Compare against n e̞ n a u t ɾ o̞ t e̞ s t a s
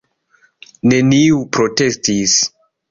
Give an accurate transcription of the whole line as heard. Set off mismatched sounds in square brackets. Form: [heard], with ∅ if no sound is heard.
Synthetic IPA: n e̞ n [i] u [p] ɾ o̞ t e̞ s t [i] s